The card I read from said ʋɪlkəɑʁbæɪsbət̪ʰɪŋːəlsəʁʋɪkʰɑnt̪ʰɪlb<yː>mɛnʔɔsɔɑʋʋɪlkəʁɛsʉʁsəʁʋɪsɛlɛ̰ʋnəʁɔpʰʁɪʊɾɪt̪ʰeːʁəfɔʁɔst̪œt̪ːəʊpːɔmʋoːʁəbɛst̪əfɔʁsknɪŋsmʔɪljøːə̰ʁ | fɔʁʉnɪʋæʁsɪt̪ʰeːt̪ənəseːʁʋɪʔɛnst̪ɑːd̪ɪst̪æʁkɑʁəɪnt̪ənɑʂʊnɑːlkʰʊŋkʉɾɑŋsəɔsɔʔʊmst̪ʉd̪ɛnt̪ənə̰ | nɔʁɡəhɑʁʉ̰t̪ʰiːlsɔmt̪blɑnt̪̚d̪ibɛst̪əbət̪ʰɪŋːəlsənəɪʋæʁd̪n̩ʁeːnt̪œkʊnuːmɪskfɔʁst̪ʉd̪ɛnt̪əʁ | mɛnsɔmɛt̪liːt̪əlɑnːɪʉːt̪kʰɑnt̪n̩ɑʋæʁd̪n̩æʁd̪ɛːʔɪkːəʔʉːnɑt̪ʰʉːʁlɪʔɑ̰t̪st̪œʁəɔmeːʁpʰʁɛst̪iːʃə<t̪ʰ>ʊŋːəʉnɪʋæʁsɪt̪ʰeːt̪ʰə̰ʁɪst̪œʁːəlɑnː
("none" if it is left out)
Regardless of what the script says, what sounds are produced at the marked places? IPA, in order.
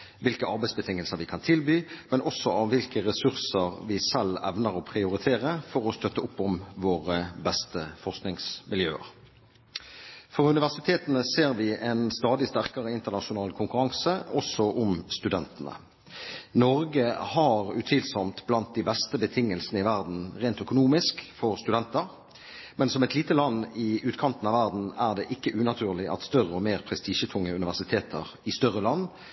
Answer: yː, t̪ʰ

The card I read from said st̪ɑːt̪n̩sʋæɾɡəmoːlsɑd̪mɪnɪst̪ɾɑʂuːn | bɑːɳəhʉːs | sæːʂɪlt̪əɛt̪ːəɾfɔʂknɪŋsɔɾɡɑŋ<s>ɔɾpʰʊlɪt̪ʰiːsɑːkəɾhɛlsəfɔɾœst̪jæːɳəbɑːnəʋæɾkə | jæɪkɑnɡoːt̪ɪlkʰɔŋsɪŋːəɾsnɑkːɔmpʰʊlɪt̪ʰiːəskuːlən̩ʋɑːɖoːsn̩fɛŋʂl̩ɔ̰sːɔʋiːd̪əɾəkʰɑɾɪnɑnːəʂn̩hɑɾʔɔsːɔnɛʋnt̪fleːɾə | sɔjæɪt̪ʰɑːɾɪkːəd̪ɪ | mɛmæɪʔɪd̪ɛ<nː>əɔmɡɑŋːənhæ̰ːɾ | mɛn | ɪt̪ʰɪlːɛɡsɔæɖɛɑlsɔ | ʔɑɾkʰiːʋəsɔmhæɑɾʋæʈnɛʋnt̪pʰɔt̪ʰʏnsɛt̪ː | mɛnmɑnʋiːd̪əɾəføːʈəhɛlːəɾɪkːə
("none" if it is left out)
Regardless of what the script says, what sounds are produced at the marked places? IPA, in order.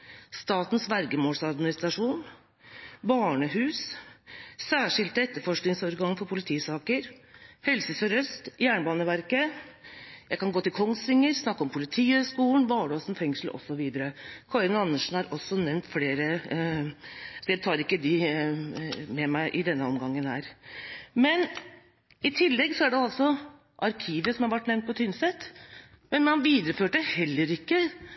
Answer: f, nː

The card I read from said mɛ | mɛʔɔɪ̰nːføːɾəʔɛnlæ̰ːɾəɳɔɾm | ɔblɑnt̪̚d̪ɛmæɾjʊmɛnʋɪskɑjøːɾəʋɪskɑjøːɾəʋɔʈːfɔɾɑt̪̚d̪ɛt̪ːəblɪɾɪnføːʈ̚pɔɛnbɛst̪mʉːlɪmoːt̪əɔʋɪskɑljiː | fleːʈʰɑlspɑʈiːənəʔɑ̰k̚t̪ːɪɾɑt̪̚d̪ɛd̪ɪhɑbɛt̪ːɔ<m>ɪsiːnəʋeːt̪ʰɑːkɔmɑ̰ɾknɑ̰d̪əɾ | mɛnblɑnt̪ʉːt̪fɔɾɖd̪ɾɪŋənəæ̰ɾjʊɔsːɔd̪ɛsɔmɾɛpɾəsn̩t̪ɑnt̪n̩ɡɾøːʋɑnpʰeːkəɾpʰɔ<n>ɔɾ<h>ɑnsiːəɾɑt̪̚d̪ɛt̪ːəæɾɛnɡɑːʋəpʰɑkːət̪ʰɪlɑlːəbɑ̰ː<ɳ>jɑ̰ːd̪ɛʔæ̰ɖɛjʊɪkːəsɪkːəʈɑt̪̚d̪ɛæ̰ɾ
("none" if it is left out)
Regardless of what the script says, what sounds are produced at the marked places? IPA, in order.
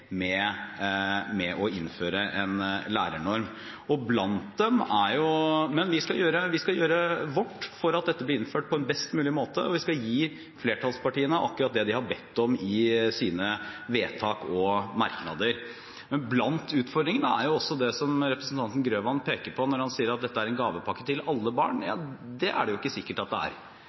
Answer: m, n, h, ɳ

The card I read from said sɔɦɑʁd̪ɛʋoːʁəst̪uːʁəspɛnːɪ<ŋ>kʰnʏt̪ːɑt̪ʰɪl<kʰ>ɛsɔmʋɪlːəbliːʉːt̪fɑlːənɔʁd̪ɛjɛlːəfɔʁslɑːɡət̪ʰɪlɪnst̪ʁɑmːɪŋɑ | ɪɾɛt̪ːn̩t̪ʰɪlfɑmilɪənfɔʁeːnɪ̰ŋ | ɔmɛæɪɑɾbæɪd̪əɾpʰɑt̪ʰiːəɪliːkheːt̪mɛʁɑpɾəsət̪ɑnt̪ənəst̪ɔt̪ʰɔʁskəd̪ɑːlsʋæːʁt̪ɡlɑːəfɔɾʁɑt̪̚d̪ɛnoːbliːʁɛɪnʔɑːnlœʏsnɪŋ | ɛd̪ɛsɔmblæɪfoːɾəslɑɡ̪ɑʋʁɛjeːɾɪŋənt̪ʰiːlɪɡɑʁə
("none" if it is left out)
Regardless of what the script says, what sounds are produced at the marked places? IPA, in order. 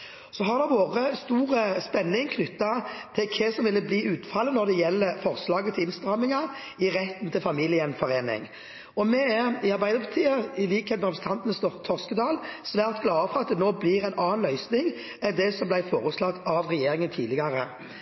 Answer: ŋ, kʰ

